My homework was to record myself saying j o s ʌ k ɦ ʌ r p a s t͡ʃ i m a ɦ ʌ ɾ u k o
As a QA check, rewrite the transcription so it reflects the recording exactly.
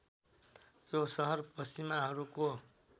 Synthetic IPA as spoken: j o s ʌ ɦ ʌ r p ʌ s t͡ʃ i m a ɦ ʌ ɾ u k o